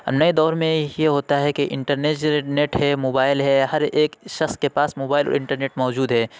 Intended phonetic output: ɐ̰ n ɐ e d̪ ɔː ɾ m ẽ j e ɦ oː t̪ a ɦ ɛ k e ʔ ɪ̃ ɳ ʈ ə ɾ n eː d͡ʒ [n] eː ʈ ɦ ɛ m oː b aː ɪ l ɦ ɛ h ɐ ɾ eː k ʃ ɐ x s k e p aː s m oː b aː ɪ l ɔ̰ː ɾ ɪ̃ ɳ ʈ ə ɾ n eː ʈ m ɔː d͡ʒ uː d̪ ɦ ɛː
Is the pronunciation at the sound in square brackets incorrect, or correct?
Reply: correct